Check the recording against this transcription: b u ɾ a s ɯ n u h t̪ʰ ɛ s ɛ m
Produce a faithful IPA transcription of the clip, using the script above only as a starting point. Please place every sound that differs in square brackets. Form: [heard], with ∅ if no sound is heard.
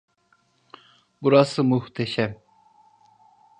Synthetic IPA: b u ɾ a s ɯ [m] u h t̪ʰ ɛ [ʃ] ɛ m